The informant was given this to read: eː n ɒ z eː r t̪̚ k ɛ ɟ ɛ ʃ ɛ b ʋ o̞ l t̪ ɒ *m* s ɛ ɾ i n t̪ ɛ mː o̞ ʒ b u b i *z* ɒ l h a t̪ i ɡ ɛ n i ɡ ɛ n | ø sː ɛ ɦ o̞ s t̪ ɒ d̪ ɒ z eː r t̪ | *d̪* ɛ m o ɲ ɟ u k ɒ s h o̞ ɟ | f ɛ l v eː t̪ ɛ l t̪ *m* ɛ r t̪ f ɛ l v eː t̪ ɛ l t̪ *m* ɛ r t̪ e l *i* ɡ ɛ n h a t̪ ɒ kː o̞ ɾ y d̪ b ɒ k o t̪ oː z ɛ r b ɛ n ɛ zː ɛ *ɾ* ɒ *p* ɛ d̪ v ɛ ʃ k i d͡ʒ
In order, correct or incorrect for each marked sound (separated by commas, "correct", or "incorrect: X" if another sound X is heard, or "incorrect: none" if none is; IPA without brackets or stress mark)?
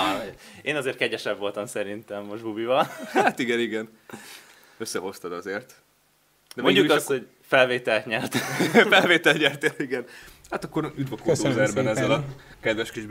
correct, incorrect: v, correct, incorrect: ɲ, incorrect: ɲ, correct, incorrect: l, incorrect: k